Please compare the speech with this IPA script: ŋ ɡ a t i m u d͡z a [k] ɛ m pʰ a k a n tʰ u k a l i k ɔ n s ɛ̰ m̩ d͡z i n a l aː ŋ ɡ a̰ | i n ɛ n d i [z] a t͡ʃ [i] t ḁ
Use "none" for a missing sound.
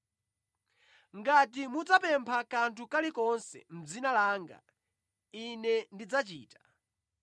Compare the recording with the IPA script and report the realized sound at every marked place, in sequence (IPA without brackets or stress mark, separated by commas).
p, d͡z, iː